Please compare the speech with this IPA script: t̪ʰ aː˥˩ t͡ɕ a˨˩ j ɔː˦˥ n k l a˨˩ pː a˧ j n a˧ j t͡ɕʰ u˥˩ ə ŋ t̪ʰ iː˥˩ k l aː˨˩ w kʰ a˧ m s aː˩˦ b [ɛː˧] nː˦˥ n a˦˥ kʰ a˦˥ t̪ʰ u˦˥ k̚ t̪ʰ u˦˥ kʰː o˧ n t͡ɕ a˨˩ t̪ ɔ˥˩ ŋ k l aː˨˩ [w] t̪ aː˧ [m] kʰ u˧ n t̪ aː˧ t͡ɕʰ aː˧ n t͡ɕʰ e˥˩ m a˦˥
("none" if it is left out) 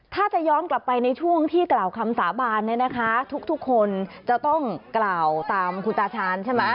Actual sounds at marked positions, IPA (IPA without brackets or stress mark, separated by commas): aː˧, w, m